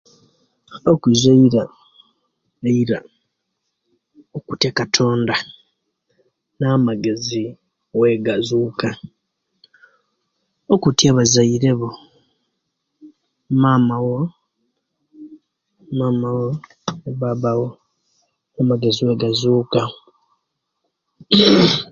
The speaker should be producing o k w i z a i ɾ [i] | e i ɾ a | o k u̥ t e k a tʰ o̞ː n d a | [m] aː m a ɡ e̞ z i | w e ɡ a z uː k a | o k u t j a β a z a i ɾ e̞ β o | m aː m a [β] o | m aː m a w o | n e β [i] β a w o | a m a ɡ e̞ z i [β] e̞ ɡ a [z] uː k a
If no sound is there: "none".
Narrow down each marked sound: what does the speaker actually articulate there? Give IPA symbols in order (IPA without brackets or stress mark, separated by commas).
a, n, w, a, w, z